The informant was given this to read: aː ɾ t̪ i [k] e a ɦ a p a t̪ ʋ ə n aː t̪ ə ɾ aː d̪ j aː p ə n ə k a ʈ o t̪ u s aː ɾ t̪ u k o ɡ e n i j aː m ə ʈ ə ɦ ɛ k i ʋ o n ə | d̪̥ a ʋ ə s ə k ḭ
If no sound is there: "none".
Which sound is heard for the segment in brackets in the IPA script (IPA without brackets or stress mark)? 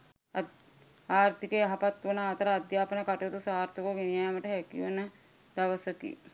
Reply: k